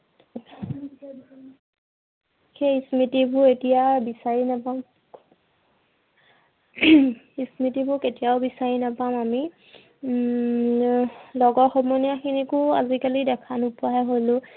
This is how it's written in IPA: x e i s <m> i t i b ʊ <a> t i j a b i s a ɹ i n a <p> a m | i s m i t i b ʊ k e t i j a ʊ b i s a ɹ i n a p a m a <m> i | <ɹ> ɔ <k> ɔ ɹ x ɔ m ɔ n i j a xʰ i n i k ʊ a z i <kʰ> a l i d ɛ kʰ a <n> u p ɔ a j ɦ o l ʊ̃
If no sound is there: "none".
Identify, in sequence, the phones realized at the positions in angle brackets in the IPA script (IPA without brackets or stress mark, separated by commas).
m, e, p, m, l, ɡ, k, n